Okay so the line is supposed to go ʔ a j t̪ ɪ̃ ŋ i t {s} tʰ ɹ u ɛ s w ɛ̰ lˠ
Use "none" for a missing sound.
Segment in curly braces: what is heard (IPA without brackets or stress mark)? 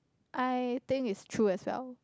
s